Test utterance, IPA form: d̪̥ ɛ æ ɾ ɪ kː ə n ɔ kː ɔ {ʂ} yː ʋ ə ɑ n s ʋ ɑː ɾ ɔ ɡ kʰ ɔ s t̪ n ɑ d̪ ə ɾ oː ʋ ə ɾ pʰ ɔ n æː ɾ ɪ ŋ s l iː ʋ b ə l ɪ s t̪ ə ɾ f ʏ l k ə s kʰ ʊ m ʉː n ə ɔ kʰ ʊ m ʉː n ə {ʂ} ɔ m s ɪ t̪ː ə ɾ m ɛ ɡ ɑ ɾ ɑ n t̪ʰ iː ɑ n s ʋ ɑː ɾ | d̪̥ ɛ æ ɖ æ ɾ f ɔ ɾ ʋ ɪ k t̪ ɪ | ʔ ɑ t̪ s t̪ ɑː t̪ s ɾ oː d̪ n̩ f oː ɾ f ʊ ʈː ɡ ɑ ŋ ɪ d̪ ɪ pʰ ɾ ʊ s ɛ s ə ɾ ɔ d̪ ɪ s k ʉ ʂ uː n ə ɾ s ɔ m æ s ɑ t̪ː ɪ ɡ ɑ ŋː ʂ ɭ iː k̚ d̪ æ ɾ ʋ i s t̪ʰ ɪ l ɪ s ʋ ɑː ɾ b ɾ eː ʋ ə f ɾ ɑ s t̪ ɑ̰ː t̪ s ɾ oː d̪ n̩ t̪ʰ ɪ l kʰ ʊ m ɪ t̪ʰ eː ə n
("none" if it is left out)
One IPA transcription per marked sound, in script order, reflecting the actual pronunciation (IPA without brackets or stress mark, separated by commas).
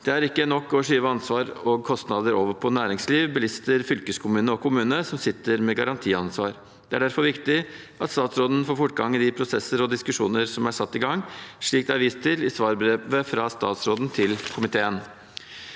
ʂ, s